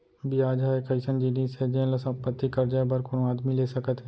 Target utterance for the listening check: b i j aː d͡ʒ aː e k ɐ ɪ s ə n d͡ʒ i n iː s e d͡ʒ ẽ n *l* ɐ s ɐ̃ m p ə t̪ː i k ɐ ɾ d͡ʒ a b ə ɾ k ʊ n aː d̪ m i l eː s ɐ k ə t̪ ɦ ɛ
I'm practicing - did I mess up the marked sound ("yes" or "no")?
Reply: no